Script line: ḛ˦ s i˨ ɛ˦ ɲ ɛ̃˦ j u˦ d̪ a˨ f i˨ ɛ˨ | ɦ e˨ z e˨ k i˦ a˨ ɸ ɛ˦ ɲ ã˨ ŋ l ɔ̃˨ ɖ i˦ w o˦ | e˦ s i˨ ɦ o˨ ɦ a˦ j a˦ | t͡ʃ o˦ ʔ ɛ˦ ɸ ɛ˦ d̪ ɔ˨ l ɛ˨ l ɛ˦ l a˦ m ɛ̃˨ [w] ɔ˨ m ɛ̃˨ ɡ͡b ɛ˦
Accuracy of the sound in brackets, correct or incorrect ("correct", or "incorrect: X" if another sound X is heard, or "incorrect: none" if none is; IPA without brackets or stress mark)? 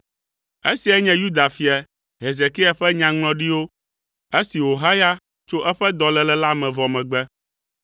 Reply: incorrect: v